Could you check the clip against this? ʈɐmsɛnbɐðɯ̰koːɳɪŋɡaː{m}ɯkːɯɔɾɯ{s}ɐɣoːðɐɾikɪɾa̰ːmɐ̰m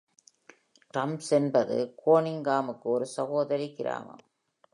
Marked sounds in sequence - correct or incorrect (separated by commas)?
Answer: correct, correct